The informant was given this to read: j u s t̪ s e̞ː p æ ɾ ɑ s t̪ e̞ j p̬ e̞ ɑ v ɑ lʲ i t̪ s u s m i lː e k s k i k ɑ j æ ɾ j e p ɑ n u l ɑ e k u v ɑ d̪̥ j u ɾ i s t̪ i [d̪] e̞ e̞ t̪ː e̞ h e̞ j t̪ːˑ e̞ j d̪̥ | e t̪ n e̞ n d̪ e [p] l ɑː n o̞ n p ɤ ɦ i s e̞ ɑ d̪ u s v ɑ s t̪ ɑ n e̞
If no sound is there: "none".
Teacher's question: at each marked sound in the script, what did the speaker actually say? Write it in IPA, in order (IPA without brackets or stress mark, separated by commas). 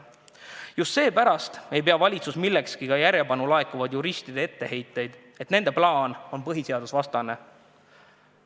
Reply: d̪, p